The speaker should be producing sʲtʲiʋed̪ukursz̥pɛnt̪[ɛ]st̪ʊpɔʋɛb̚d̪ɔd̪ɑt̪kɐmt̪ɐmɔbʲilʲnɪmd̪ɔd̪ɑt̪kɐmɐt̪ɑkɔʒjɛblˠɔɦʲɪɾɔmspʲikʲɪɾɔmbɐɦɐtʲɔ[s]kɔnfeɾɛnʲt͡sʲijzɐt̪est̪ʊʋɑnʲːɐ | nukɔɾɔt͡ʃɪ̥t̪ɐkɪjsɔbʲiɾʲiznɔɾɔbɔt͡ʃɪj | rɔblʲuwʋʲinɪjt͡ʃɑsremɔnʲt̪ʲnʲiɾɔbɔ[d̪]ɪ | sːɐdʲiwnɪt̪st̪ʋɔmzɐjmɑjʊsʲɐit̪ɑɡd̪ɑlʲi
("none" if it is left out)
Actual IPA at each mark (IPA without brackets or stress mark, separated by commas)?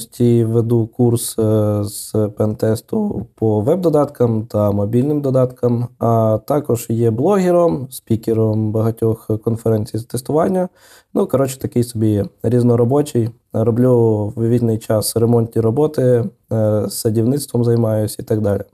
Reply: ɛ, x, t̪